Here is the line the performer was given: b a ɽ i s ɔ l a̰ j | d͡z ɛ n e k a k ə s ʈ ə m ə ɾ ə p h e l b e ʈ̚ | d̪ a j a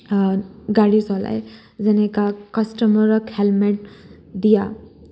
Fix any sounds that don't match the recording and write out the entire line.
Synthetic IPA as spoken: ɡ a ɽ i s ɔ l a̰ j | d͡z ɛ n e k a k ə s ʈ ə m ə ɾ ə k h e l m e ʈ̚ | d̪ i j a